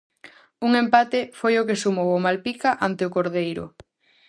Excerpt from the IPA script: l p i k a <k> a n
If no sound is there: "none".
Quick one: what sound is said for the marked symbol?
ʔ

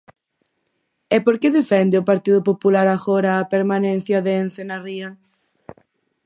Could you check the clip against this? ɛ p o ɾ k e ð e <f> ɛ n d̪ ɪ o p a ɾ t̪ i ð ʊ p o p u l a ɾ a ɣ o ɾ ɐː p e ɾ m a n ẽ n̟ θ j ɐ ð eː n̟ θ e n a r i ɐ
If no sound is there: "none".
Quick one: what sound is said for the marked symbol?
f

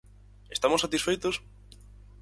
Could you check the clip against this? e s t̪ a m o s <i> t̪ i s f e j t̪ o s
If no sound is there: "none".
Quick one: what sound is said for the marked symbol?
a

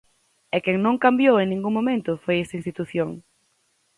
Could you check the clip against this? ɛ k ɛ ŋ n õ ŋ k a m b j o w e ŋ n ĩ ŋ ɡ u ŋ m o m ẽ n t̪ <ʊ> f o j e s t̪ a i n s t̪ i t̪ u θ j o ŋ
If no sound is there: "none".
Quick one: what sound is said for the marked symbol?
ʊ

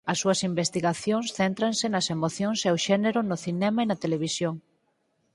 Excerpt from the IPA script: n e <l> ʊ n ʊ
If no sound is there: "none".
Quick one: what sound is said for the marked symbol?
ɾ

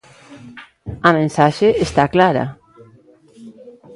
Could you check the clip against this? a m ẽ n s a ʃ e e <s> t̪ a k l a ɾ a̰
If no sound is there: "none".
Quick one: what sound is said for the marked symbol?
s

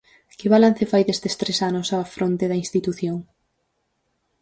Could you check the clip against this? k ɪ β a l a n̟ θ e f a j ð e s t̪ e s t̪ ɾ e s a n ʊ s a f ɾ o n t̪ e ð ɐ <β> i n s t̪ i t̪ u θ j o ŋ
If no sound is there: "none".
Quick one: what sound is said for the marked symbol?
none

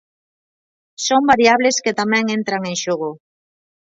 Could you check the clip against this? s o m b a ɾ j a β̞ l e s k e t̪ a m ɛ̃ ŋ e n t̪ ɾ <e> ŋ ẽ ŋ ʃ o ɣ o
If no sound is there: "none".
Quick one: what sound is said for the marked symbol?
a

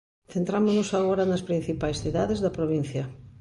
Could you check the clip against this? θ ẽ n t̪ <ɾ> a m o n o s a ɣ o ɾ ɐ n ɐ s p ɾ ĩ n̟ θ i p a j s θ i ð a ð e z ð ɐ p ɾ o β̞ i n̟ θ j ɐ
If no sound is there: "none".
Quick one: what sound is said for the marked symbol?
ɾ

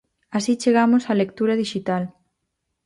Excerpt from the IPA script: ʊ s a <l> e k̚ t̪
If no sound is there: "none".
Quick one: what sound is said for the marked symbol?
l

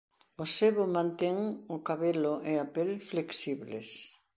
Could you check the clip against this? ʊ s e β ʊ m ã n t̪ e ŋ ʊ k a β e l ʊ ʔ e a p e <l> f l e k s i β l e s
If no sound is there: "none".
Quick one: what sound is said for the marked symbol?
l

